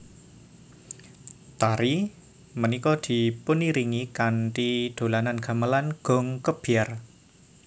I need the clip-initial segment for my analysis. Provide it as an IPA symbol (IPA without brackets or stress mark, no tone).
t̪